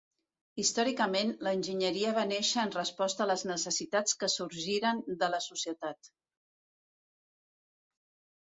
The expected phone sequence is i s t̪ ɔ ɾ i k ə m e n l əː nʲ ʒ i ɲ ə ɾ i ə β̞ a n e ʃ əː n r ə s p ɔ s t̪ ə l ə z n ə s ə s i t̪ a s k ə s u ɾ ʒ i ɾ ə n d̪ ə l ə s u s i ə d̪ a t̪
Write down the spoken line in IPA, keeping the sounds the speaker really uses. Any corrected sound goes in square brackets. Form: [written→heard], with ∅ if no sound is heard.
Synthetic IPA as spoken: i s t̪ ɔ ɾ i k ə m e n l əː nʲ ʒ i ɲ ə ɾ i ə β̞ a n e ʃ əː n r ə s p ɔ s t̪ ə l ə z n ə s ə s i t̪ a [s→t͡s] k ə s u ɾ ʒ i ɾ ə n d̪ ə l ə s u s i ə [d̪→t̪] a t̪